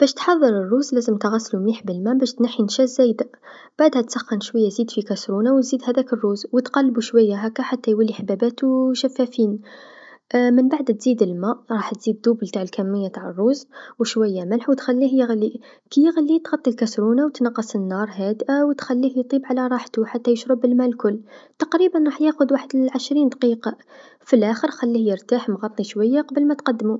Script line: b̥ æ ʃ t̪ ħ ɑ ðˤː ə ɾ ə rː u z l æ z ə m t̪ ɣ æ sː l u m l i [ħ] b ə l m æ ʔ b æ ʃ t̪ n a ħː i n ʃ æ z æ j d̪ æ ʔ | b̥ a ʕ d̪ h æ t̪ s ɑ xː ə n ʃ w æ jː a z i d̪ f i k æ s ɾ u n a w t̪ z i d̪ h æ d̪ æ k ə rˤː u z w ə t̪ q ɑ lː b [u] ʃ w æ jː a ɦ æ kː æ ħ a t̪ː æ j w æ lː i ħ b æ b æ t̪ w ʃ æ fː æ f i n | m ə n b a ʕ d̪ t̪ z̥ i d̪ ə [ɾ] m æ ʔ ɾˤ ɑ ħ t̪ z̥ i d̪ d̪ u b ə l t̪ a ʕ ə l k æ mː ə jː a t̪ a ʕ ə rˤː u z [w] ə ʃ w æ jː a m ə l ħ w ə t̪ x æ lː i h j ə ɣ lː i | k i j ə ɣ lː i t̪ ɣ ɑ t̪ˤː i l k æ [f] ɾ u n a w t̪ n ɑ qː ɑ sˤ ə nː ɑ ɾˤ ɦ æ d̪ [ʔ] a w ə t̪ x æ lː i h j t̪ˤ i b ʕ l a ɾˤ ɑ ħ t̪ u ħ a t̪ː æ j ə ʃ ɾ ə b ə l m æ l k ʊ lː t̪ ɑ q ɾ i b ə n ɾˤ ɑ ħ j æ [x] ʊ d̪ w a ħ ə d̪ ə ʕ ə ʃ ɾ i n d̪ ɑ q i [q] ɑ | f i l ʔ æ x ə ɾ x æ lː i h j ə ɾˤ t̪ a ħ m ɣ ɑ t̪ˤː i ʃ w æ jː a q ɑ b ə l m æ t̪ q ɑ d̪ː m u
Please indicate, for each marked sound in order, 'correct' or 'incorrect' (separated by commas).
correct, correct, incorrect, correct, incorrect, correct, correct, correct